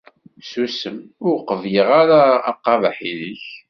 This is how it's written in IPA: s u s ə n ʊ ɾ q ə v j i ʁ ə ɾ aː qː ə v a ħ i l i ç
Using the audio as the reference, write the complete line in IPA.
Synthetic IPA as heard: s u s ə m ʊ ɾ q ə v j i ʁ a ɾ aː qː ɑ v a ħ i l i ç